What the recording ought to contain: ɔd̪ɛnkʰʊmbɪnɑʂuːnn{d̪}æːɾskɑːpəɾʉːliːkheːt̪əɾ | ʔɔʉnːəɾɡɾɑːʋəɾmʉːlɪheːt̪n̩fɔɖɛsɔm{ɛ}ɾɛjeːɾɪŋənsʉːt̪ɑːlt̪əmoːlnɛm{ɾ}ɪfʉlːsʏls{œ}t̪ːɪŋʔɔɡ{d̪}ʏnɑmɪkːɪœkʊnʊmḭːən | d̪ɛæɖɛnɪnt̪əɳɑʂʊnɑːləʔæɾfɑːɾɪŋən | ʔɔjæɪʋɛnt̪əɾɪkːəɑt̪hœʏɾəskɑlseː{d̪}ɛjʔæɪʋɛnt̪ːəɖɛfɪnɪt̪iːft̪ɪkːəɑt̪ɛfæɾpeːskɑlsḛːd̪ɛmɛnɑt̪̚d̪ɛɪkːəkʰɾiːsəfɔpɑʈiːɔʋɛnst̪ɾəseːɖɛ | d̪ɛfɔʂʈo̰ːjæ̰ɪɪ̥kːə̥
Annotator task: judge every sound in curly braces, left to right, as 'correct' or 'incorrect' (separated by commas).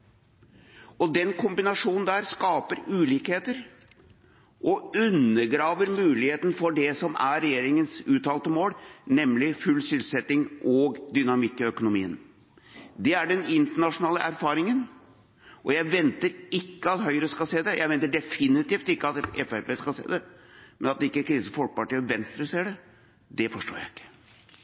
correct, incorrect, incorrect, incorrect, correct, correct